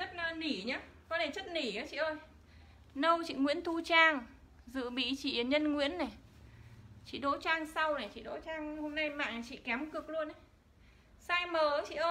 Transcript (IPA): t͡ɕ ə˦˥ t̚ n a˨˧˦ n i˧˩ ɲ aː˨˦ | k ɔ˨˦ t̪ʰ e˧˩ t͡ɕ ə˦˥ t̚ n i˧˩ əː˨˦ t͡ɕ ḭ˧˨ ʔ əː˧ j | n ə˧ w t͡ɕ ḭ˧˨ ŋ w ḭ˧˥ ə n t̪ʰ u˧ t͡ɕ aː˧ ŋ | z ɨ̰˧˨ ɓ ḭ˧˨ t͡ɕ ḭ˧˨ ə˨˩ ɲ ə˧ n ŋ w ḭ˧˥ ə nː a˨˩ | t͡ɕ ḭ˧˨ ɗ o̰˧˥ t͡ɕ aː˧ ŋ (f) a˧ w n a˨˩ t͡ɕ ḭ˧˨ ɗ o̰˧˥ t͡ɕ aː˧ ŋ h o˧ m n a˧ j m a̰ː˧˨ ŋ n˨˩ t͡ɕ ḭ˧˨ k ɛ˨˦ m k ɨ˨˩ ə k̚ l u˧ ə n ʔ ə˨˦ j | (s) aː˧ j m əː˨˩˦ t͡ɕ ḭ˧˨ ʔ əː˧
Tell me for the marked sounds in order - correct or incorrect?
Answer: incorrect, correct

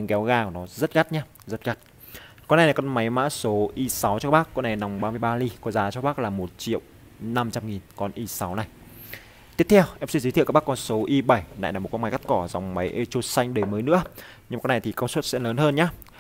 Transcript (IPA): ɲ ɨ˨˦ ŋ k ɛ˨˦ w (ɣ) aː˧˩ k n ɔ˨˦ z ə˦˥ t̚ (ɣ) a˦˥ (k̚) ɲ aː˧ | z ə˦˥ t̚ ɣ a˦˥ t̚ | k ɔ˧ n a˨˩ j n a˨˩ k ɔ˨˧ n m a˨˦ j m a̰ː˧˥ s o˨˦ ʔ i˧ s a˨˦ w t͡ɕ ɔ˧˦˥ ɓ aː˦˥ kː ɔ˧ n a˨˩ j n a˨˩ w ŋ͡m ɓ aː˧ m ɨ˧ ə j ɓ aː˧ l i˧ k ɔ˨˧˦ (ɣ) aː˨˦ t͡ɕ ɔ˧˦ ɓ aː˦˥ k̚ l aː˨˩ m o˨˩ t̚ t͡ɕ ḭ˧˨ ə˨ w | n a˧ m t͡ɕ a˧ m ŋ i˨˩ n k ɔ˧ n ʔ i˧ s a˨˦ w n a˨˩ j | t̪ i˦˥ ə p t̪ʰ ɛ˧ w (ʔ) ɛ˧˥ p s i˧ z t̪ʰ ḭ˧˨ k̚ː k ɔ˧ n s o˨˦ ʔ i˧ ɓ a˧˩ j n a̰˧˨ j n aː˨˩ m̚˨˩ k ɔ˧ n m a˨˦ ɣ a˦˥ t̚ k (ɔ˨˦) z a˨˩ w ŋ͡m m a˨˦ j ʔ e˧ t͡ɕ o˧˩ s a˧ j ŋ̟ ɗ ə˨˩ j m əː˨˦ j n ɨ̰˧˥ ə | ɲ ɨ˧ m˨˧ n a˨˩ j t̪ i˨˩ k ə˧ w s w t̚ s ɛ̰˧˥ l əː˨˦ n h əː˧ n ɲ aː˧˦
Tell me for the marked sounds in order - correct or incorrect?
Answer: correct, correct, incorrect, incorrect, correct, incorrect

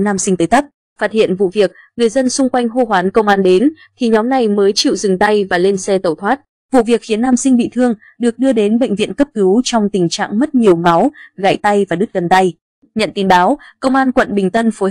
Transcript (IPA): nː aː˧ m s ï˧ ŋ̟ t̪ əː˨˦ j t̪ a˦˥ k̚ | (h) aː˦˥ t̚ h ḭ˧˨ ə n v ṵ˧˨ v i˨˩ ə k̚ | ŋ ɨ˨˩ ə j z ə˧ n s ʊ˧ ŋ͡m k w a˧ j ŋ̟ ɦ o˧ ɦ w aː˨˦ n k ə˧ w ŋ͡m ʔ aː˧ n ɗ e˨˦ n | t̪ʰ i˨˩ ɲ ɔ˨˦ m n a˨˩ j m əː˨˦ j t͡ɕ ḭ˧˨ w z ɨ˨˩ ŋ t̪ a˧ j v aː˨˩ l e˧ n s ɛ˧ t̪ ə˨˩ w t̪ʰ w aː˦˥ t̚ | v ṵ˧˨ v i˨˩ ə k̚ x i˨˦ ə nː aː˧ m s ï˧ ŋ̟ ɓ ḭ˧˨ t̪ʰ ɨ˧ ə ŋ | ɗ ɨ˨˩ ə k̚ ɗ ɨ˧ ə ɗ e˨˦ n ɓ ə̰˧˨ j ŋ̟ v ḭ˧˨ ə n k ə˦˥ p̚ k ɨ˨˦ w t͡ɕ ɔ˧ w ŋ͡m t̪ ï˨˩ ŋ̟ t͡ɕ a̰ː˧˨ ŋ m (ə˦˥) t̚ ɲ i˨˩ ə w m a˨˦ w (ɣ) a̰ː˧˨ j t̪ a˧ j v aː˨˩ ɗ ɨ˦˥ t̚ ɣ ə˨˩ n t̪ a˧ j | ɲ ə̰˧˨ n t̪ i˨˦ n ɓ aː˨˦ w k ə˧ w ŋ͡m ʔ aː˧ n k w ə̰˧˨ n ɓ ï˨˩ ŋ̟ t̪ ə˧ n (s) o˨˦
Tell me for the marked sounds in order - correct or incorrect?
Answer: incorrect, correct, correct, incorrect

